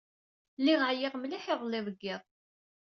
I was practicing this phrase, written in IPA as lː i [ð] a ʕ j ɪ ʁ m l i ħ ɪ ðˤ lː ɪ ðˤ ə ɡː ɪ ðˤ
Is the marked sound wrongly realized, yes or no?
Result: yes